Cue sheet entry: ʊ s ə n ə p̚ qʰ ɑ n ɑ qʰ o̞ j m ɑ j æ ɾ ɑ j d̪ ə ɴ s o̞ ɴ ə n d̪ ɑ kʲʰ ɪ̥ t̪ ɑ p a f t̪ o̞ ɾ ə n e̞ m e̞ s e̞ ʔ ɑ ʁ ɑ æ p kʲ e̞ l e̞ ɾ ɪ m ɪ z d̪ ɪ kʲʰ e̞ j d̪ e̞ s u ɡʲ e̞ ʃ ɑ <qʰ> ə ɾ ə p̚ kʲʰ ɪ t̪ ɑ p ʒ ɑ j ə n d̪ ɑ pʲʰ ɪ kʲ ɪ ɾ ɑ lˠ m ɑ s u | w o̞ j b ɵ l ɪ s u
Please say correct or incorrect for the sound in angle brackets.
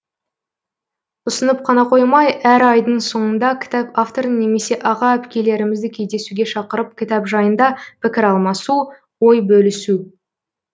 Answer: incorrect